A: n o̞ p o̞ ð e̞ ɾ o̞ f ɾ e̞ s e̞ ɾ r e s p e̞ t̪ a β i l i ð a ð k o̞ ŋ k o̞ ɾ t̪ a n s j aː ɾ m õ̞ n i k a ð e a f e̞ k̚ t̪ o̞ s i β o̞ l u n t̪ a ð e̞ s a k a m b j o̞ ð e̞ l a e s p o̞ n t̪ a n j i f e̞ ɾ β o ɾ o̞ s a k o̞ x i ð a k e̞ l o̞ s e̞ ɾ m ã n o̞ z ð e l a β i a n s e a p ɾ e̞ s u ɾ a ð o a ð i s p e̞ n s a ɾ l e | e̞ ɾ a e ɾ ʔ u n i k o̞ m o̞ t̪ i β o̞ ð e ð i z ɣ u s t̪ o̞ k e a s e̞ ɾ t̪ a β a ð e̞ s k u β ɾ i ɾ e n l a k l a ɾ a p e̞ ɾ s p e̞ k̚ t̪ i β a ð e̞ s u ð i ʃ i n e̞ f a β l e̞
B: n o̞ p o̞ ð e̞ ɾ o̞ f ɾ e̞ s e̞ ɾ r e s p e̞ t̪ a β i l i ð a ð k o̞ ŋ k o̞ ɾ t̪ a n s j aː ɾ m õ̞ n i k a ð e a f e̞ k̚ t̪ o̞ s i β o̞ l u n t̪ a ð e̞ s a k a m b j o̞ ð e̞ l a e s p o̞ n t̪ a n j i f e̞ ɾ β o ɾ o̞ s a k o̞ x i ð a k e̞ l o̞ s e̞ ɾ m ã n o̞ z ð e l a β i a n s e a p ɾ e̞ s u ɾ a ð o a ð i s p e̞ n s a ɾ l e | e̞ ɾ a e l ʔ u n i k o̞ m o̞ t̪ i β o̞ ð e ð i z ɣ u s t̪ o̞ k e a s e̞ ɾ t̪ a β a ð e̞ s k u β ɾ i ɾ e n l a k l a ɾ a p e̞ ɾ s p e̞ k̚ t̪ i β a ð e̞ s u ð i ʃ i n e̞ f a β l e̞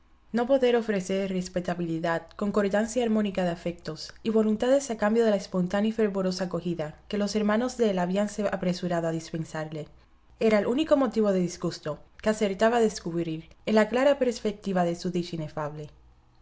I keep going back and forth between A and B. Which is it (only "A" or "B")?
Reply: B